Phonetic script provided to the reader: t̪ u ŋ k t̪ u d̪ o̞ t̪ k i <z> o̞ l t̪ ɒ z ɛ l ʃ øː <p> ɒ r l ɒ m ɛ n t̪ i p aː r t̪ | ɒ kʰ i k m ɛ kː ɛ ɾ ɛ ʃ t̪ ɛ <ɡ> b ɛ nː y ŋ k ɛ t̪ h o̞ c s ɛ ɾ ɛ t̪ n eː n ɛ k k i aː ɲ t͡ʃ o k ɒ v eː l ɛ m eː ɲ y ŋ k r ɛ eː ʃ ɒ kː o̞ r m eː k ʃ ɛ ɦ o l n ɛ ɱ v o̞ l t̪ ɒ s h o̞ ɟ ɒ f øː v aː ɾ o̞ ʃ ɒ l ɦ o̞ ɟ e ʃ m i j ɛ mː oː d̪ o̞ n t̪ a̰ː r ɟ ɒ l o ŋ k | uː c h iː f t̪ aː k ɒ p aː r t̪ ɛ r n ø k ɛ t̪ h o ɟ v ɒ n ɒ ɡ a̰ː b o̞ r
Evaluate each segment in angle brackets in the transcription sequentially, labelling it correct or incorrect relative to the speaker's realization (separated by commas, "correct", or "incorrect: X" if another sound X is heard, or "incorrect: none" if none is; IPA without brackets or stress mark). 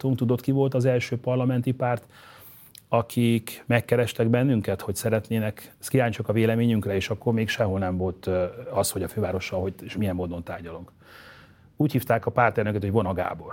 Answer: incorrect: v, correct, correct